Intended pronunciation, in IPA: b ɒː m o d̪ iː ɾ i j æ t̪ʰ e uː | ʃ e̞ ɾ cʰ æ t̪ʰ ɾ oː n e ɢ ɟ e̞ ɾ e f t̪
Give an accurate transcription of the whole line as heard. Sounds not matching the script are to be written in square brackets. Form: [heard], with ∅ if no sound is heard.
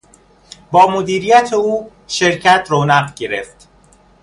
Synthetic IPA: b ɒː m o d̪ iː ɾ i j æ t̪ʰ e uː | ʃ e̞ ɾ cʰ æ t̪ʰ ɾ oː n [æ] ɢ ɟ e̞ ɾ e f t̪